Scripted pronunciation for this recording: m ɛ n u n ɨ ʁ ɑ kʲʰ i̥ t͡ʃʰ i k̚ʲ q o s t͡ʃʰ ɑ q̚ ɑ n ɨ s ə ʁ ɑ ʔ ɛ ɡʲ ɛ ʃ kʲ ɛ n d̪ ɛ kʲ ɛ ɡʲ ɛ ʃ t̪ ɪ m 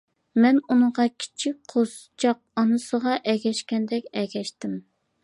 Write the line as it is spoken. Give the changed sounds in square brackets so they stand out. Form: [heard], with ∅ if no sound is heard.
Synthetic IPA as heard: m ɛ n u n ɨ ʁ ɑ kʲʰ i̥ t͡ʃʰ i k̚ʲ [qʰ] o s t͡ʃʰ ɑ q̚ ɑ n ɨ s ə ʁ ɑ ʔ ɛ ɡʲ ɛ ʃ kʲ ɛ n d̪ ɛ kʲ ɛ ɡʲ ɛ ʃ t̪ ɪ m